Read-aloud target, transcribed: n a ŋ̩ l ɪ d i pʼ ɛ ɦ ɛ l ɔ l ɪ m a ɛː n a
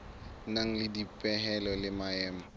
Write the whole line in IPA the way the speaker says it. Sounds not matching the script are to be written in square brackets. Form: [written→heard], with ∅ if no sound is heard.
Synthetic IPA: n a ŋ̩ l ɪ d i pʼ ɛ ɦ ɛ l ɔ l ɪ m a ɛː [n→m] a

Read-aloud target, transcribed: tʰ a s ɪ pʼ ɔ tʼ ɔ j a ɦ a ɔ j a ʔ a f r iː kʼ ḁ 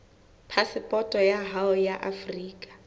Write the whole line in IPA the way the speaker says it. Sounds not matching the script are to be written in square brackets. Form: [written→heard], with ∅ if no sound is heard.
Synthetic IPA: [tʰ→pʰ] a s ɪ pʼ ɔ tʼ ɔ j a ɦ a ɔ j a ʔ a f r iː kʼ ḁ

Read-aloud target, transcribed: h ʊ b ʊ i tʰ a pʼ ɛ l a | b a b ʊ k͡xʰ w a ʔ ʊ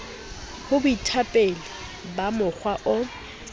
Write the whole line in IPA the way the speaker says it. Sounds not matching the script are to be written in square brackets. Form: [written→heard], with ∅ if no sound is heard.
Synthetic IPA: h ʊ b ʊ i tʰ a pʼ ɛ l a | b a [b→m] ʊ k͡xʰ w a ʔ ʊ

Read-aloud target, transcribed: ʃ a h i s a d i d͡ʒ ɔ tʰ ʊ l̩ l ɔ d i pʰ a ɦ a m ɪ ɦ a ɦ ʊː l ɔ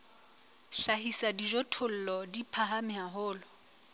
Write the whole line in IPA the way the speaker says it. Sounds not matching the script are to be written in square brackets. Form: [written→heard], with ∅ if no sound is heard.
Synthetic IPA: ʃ a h i s a d i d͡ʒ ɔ tʰ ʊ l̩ l ɔ d i pʰ a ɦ a m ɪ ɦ a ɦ ʊː l ɔ

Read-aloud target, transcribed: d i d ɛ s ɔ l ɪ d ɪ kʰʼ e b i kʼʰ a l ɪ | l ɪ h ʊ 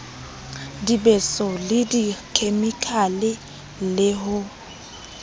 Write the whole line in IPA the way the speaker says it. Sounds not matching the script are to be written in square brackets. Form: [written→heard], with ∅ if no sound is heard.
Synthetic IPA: d i [d→b] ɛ s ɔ l ɪ d [ɪ→i] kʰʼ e [b→m] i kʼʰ a l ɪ | l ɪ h ʊ

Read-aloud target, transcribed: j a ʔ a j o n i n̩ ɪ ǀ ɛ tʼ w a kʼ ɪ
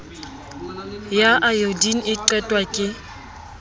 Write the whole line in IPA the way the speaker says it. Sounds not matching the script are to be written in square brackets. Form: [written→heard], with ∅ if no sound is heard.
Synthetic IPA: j a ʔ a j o [n→d] i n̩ ɪ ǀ ɛ tʼ w a kʼ ɪ

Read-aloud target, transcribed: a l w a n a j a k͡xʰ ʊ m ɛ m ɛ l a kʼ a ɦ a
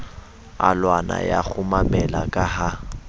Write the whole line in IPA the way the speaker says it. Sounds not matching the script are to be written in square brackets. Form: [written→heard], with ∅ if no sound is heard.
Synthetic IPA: a l w a n a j a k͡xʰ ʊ m [ɛ→a] m ɛ l a kʼ a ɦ a

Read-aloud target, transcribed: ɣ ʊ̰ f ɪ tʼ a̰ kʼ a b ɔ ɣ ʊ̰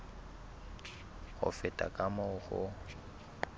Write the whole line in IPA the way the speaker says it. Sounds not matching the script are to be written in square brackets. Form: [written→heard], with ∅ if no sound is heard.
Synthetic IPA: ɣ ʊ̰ f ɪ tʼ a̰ kʼ a [b→m] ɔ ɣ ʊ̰

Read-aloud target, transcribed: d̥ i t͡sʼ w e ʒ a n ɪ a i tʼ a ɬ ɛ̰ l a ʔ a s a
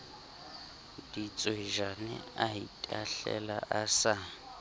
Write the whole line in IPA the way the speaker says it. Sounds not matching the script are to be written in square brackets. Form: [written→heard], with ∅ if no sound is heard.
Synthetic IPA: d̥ i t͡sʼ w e ʒ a n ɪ a i tʼ a ɬ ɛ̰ l a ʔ a s a

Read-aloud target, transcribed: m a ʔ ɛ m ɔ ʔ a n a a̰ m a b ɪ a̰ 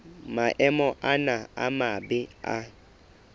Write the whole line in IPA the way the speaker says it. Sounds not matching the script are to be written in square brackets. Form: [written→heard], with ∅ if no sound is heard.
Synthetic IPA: m a ʔ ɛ m ɔ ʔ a n a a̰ m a b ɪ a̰

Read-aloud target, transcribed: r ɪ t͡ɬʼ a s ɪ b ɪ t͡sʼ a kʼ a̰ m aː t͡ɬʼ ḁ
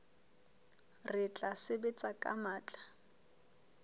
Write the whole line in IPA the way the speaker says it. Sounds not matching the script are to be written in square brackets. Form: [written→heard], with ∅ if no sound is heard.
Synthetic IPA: r ɪ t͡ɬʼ a s ɪ b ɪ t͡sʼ a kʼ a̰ m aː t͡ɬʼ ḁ

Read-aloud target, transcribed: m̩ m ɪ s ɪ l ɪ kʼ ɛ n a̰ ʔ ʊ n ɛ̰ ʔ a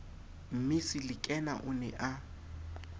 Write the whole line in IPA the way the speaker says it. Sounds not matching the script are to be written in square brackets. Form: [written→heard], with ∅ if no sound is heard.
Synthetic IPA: m̩ m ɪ s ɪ l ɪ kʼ ɛ n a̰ ʔ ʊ n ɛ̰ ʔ a

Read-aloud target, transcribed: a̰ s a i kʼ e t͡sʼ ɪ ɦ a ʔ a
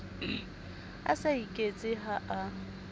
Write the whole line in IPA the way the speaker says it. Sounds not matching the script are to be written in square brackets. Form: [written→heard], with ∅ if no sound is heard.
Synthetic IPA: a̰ s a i kʼ e t͡sʼ ɪ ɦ a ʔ a

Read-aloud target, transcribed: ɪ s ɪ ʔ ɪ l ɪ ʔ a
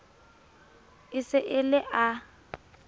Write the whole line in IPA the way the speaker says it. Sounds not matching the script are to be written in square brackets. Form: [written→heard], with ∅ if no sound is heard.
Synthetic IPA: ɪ s ɪ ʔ ɪ l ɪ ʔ a

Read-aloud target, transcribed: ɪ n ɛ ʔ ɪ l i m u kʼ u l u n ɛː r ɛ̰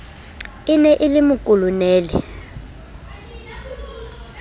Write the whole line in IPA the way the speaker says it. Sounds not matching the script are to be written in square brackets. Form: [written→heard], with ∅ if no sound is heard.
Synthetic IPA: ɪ n ɛ ʔ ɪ l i m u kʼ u l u n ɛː [r→l] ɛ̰

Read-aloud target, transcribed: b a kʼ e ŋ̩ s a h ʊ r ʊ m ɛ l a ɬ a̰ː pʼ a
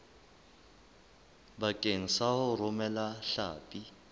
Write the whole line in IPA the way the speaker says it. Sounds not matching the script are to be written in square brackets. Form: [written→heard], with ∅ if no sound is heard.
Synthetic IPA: b a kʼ e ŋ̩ s a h ʊ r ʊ m ɛ l a ɬ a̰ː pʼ [a→i]

